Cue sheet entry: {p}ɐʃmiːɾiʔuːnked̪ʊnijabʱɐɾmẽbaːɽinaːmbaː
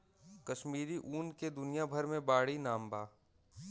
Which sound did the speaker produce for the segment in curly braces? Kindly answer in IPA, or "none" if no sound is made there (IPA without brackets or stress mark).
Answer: k